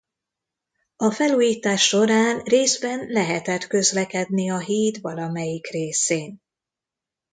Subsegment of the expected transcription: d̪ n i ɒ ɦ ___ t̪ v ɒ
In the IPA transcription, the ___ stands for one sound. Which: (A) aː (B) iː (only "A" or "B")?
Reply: B